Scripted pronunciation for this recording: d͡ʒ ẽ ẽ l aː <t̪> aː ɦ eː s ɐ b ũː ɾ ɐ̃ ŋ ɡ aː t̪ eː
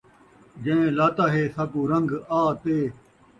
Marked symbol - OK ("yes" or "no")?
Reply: yes